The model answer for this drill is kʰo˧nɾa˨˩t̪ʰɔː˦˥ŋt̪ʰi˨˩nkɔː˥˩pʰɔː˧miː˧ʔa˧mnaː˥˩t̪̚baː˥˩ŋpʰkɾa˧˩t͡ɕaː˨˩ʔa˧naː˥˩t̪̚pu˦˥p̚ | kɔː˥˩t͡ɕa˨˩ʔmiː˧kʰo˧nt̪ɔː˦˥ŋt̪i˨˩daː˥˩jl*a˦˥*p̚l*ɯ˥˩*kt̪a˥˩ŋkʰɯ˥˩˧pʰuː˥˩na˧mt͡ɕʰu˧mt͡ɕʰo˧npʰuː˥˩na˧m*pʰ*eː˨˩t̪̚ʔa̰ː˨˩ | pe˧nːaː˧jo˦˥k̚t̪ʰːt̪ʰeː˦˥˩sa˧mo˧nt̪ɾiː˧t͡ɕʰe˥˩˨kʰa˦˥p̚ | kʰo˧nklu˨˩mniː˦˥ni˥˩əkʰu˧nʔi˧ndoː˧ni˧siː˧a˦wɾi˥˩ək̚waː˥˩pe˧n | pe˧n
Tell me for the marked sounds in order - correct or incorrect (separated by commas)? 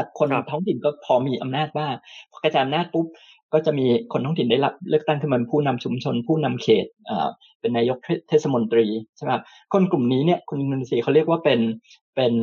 correct, correct, incorrect